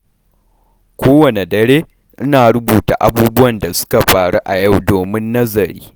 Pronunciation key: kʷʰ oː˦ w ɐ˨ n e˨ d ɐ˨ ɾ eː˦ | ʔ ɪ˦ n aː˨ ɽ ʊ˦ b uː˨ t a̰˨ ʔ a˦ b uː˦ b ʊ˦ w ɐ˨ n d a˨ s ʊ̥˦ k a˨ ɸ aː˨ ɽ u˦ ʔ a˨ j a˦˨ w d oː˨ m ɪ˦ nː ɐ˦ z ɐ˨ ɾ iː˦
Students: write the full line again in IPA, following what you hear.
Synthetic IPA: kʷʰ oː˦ w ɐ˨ n e˨ d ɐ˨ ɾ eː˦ | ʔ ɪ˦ n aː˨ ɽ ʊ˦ b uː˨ t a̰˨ ʔ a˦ b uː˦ b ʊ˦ w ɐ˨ n d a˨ s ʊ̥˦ k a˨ ɸ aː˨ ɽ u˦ ʔ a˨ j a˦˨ w d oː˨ m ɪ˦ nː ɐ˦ z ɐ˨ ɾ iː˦